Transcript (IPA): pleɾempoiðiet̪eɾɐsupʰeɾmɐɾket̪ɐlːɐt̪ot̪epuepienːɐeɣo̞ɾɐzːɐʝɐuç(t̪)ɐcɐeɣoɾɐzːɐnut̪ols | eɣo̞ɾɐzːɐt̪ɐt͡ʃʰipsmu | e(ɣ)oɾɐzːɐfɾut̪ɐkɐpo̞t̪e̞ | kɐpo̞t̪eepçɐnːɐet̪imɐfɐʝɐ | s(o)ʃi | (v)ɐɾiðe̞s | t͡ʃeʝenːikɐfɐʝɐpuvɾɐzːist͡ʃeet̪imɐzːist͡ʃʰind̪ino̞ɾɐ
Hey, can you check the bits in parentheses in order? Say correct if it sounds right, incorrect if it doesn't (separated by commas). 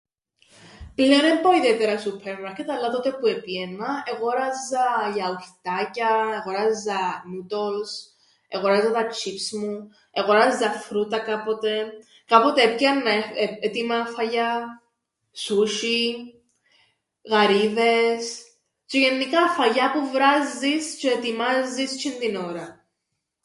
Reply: correct, correct, incorrect, incorrect